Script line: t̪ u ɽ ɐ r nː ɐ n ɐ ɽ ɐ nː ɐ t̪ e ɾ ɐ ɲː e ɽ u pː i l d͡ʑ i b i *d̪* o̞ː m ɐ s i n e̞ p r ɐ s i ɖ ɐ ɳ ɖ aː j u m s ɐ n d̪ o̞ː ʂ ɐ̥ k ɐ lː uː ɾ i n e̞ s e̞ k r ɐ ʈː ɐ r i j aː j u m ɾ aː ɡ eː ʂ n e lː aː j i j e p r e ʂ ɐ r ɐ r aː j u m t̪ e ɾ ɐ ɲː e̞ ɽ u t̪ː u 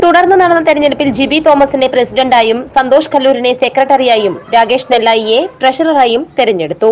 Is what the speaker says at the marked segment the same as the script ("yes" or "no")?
no